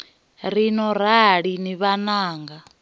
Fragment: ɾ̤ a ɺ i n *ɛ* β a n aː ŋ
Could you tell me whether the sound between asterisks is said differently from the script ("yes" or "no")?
yes